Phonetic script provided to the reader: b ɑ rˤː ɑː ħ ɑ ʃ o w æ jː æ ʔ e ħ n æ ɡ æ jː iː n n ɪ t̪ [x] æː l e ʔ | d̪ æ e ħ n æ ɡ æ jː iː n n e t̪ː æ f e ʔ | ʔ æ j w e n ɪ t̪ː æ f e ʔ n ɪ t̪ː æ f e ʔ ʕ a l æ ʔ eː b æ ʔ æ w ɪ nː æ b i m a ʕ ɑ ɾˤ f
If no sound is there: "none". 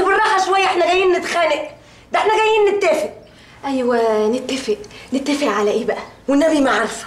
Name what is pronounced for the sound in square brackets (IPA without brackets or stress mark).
x